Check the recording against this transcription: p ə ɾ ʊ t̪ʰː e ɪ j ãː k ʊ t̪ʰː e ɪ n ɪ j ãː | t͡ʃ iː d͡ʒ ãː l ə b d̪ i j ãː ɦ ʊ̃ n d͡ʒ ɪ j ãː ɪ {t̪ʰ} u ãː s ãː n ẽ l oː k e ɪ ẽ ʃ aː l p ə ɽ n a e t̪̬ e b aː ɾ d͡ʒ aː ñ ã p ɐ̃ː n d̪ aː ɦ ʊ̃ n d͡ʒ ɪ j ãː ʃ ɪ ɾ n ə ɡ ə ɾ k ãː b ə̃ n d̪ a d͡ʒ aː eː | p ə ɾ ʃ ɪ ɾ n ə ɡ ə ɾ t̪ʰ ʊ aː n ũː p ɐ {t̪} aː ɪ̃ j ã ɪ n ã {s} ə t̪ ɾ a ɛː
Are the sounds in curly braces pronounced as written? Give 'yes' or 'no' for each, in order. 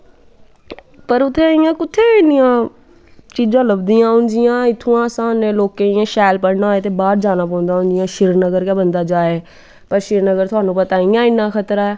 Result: yes, yes, no

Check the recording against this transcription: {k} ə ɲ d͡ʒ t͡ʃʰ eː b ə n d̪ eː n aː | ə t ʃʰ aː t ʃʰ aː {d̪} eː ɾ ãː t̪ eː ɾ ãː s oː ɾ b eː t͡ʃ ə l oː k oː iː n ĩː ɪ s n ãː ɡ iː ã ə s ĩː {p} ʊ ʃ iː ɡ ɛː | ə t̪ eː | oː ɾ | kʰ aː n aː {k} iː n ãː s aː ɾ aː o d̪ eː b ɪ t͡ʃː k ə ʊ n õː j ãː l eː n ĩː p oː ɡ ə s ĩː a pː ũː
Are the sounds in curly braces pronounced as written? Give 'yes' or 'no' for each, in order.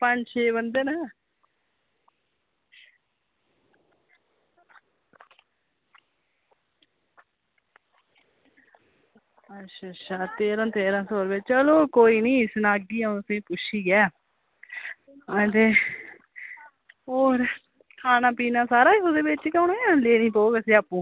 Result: no, no, yes, no

